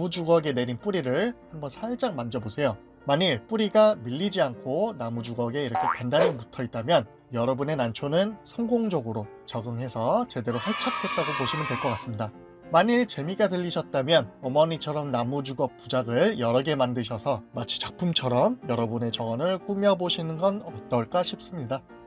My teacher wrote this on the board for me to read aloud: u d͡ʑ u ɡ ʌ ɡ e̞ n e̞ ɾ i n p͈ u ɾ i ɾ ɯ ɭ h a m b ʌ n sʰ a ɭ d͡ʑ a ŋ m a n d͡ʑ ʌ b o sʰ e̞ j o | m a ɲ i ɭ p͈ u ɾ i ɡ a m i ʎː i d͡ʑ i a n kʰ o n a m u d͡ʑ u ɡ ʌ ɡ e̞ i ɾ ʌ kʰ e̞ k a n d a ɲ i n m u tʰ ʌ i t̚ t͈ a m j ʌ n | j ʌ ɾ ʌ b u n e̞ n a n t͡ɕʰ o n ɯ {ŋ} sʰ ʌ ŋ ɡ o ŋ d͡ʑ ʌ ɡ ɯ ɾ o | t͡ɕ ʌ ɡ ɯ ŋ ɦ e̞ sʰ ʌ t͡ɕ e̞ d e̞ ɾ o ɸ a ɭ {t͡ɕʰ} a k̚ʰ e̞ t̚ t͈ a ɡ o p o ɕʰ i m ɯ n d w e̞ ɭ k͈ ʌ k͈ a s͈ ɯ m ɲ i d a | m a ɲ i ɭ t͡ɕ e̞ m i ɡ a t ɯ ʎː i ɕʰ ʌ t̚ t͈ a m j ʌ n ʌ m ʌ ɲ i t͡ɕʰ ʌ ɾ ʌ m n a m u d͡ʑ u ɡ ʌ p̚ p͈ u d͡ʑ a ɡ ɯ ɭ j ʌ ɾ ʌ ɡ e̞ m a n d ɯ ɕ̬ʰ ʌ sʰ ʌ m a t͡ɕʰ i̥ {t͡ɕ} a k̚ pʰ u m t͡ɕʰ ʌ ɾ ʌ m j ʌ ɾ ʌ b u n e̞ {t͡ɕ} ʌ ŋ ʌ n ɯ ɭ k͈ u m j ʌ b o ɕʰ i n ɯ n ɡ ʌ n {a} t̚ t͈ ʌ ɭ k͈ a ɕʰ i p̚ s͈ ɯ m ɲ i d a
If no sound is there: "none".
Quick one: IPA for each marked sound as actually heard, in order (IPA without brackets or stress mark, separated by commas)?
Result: n, t͡ɕʰ, t͡ɕ, t͡ɕ, ʌ